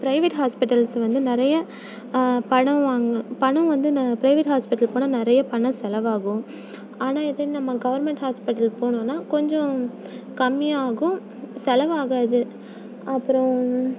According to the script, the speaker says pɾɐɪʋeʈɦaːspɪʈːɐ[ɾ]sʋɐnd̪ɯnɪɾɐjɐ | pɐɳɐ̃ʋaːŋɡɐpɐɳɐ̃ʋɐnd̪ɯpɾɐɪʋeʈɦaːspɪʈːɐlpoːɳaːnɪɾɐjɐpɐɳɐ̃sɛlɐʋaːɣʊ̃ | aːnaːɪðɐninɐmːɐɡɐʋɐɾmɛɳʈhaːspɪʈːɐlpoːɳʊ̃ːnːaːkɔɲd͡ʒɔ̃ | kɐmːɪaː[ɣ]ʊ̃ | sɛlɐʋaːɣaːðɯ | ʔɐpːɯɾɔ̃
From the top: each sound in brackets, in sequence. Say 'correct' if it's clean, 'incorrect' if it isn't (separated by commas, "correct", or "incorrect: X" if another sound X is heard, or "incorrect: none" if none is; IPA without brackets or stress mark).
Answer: incorrect: l, correct